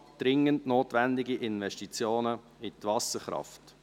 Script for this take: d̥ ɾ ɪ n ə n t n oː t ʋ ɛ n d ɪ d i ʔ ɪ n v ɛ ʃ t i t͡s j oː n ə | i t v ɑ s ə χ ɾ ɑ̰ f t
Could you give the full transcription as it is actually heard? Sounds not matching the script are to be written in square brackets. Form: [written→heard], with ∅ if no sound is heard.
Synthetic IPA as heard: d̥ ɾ ɪ [n→ŋ] ə n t n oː t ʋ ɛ n d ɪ [d→ɡ] i ʔ ɪ n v ɛ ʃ t i t͡s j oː n ə | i t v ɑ s ə χ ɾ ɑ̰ f t